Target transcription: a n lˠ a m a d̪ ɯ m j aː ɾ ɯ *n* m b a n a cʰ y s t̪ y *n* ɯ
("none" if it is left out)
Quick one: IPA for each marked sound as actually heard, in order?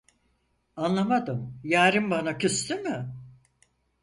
none, m

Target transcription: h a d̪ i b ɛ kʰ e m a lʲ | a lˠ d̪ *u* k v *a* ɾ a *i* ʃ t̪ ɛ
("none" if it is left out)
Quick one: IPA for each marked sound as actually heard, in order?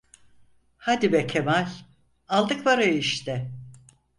ɯ, a, i

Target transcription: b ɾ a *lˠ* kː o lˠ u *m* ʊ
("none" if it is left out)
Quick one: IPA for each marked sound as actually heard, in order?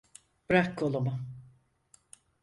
none, m

